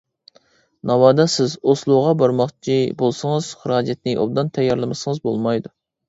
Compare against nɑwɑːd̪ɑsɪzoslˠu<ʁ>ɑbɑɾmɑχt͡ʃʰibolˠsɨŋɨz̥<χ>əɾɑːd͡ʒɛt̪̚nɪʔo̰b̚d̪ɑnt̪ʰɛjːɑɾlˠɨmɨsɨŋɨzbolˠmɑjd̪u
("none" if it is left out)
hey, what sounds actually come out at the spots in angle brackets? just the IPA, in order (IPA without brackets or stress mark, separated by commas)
ʁ, χ